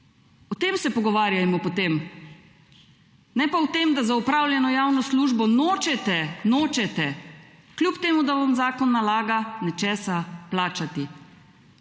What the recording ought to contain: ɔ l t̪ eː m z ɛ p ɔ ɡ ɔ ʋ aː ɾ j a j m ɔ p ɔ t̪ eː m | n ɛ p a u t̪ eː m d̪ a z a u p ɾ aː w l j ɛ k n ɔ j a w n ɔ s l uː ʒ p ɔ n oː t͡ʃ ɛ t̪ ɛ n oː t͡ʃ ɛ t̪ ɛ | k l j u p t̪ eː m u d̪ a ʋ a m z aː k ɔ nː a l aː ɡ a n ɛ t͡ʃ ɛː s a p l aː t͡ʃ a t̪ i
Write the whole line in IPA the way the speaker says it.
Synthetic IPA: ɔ t̪ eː m s ɛ p ɔ ɡ ɔ ʋ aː ɾ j a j m ɔ p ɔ t̪ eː m | n ɛ p a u t̪ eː m d̪ a z a u p ɾ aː w l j ɛ n ɔ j a w n ɔ s l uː ʒ b ɔ n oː t͡ʃ ɛ t̪ ɛ n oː t͡ʃ ɛ t̪ ɛ | k l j u p t̪ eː m u d̪ a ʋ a m z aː k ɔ nː a l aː ɡ a n ɛ t͡ʃ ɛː s a p l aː t͡ʃ a t̪ i